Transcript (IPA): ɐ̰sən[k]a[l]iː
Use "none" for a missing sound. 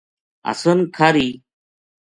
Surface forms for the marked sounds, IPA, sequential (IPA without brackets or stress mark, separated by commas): kʰ, ɾ